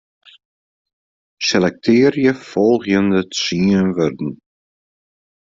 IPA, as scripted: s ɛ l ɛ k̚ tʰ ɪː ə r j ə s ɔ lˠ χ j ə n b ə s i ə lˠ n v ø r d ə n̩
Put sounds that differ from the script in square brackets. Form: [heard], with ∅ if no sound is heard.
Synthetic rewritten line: s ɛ l ɛ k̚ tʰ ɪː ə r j ə [f] ɔ lˠ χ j ə n [d] ə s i ə [∅] n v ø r d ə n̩